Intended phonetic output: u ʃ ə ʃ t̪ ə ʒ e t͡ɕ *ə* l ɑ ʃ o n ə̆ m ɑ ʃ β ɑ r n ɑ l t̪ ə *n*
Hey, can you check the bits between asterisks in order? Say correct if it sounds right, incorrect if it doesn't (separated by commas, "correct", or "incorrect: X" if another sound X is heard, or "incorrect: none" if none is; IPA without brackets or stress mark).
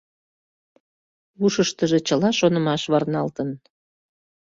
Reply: correct, correct